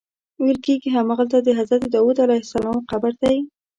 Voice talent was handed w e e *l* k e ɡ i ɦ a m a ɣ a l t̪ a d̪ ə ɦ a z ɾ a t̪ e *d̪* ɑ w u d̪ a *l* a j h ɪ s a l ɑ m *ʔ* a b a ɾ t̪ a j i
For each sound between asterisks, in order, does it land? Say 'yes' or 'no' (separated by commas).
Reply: yes, yes, yes, no